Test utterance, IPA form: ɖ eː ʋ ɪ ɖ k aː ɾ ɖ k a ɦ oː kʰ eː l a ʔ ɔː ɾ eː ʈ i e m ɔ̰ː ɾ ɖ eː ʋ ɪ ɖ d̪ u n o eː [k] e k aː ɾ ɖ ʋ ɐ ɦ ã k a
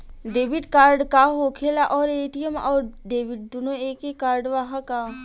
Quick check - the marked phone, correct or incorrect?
correct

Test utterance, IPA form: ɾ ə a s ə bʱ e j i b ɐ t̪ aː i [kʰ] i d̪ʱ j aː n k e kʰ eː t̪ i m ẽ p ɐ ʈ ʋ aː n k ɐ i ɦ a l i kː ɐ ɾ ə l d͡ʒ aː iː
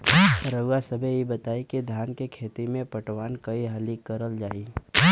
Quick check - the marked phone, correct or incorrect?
incorrect: k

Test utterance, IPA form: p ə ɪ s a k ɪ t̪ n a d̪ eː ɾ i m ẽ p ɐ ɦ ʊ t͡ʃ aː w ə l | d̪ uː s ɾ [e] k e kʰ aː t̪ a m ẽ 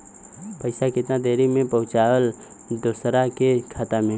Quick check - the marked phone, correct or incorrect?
incorrect: a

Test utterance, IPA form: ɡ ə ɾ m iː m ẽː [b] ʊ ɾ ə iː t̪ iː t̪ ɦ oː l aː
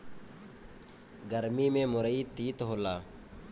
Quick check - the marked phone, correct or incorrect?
incorrect: m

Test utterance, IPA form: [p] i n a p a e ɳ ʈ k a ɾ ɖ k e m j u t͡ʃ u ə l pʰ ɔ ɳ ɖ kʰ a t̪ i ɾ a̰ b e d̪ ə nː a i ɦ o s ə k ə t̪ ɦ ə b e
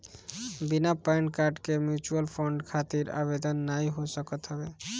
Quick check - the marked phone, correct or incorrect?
incorrect: b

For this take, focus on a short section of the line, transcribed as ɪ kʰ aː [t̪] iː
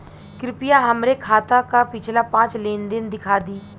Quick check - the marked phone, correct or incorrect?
incorrect: d̪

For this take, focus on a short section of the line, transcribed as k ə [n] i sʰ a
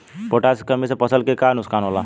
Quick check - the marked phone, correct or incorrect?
incorrect: m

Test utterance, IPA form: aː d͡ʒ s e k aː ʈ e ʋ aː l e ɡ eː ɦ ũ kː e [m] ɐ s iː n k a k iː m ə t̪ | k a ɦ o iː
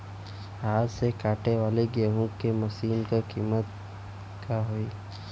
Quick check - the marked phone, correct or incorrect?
correct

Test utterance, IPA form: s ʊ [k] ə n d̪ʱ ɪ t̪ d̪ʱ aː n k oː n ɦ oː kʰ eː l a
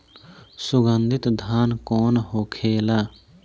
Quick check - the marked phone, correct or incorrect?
incorrect: ɡ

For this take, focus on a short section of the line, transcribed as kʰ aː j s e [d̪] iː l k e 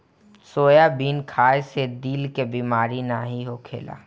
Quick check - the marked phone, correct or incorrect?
correct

